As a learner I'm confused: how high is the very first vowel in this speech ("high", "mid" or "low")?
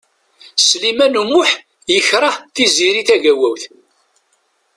high